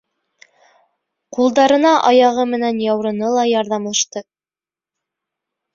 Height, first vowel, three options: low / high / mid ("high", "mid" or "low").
high